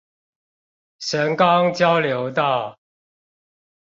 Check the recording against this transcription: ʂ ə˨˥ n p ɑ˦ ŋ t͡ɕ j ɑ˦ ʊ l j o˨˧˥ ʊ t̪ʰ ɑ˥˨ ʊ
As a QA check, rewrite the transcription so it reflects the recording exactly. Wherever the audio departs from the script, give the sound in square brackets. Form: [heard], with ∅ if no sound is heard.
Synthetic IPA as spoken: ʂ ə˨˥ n [k] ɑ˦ ŋ t͡ɕ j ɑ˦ ʊ l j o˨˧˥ ʊ [t̪] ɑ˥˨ ʊ